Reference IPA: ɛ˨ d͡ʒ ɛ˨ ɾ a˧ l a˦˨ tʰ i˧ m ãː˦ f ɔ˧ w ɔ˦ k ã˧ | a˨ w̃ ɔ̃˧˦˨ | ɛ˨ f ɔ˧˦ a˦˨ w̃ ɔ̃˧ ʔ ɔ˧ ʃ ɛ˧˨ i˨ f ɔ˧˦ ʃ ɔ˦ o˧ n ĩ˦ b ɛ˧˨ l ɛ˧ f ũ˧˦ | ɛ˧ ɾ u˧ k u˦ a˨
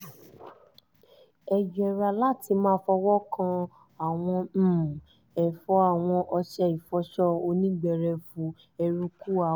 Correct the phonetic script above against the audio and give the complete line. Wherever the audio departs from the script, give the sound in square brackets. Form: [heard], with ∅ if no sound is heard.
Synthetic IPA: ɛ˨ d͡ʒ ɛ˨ ɾ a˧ l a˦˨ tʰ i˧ m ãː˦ f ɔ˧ w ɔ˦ k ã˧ | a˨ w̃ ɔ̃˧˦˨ | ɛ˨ f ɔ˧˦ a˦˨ w̃ ɔ̃˧ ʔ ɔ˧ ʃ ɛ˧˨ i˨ f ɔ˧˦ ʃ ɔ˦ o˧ n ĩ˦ [ɡ͡b] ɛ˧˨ [ɾ] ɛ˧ f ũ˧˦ | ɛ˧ ɾ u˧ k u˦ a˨